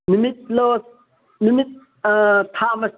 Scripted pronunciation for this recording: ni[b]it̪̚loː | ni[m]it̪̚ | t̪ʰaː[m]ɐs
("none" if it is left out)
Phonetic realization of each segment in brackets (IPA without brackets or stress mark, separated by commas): m, m, m